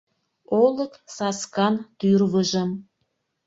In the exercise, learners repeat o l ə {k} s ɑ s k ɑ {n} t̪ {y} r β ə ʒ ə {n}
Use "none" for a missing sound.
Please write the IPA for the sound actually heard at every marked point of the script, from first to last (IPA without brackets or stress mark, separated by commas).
k, n, y, m